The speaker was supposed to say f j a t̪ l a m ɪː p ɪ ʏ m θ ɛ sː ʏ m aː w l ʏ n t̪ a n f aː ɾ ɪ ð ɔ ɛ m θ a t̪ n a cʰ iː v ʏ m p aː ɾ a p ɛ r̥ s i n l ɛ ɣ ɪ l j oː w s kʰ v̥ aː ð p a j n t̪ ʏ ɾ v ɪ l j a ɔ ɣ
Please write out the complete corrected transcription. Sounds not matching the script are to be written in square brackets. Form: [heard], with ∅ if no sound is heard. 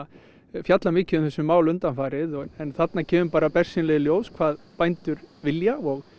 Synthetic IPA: f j a t̪ l a m ɪː [c] ɪ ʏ m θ ɛ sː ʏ m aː w l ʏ n t̪ a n f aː ɾ ɪ ð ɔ ɛ [n] θ a t̪ n a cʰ [ɛː] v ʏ m p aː ɾ a p ɛ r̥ s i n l ɛ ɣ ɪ l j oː w s kʰ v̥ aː ð p a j n t̪ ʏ ɾ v ɪ l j a ɔ ɣ